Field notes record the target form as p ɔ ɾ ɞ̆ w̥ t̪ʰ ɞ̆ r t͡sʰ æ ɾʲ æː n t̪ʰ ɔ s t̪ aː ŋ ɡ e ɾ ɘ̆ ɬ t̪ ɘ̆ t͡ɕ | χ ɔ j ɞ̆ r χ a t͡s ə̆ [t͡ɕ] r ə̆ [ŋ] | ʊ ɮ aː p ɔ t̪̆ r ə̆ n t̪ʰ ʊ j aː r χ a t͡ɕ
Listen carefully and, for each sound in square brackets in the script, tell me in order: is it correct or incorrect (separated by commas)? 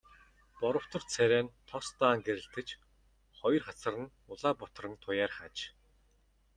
incorrect, incorrect